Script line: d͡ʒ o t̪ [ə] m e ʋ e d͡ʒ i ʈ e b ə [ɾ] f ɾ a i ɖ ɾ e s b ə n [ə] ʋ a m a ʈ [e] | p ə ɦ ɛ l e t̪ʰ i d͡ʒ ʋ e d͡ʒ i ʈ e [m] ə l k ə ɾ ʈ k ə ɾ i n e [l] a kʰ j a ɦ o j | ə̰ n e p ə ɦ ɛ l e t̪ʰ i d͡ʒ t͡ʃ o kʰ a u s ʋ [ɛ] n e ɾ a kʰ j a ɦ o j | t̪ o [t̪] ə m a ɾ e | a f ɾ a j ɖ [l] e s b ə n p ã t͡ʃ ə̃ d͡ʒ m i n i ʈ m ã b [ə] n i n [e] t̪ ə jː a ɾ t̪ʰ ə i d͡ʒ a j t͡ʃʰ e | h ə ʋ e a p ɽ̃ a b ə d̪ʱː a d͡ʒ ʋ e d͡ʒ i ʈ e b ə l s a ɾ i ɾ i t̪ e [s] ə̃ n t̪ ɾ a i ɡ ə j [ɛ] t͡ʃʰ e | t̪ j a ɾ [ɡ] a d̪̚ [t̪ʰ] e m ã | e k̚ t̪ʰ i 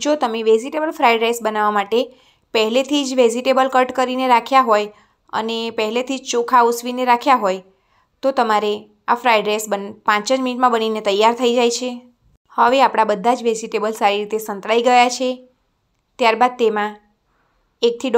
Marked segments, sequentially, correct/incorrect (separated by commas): correct, incorrect, incorrect, correct, incorrect, incorrect, incorrect, correct, incorrect, correct, correct, correct, incorrect, incorrect, incorrect